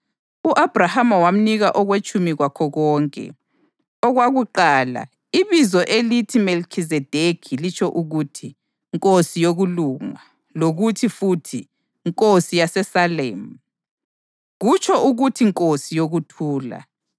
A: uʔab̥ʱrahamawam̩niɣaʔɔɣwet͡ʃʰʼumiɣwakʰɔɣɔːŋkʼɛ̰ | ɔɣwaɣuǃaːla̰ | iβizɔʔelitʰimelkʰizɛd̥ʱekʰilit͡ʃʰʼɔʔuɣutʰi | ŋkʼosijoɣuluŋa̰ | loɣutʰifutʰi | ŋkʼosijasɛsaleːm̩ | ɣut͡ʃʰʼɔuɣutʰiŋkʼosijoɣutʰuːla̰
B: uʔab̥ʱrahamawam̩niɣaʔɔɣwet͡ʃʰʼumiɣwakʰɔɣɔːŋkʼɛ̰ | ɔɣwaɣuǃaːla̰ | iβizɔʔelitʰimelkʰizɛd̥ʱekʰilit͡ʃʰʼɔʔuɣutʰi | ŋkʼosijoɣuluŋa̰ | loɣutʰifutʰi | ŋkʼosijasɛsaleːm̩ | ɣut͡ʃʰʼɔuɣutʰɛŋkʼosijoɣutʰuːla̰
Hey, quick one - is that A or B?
A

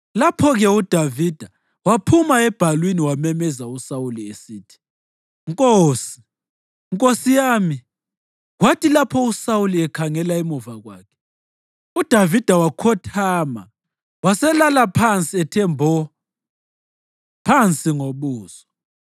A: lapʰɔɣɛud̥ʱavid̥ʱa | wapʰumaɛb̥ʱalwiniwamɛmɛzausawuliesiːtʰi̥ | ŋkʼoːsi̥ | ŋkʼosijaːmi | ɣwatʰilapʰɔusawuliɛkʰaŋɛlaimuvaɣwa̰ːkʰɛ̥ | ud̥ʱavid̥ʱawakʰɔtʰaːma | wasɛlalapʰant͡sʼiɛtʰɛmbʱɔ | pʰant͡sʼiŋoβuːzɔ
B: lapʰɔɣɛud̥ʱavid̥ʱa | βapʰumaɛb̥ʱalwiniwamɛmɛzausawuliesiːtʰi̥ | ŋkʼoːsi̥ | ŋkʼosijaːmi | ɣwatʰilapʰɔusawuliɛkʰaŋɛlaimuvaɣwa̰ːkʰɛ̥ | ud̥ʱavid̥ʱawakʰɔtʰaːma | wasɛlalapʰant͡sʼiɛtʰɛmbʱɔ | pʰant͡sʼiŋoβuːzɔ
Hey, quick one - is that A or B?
A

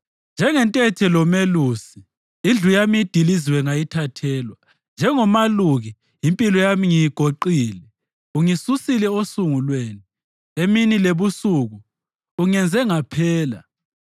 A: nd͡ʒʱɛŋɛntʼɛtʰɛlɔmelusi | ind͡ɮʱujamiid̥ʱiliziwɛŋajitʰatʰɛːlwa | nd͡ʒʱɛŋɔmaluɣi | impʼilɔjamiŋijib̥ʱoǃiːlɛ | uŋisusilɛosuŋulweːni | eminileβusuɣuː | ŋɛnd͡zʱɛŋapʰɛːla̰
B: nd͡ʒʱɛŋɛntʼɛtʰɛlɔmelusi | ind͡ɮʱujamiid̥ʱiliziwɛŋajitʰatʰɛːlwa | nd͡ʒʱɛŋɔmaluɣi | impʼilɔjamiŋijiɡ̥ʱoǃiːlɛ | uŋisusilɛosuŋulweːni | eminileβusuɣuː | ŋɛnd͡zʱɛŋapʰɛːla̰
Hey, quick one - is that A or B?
B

